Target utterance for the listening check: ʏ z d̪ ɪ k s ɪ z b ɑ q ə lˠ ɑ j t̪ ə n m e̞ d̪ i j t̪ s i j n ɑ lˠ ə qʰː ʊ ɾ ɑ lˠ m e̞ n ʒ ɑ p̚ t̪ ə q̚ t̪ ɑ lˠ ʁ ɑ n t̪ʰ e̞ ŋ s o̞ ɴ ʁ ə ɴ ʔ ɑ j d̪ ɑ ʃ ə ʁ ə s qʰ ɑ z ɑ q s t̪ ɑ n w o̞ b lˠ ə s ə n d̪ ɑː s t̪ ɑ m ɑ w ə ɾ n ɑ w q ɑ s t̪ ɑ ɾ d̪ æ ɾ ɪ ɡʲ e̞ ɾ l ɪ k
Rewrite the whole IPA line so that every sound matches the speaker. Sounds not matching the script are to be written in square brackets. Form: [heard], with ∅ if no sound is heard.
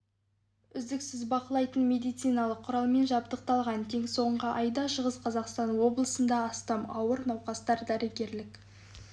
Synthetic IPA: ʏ z d̪ ɪ k s ɪ z b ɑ q ə lˠ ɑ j t̪ ə n m e̞ d̪ i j t̪ s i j n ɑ lˠ ə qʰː ʊ ɾ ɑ lˠ m e̞ n ʒ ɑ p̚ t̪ ə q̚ t̪ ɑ lˠ ʁ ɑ n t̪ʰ e̞ ŋ s o̞ ɴ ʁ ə [∅] ʔ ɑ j d̪ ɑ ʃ ə ʁ ə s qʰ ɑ z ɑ q s t̪ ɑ n w o̞ b lˠ ə s ə n d̪ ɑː s t̪ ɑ m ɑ w ə ɾ n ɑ w q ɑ s t̪ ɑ ɾ d̪ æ ɾ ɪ ɡʲ e̞ ɾ l ɪ k